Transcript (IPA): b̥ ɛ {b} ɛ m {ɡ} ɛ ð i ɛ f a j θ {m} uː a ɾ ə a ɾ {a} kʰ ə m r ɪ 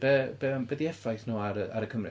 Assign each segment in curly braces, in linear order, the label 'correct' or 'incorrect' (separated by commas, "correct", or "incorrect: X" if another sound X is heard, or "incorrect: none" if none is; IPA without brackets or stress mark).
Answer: correct, incorrect: b, incorrect: n, incorrect: ə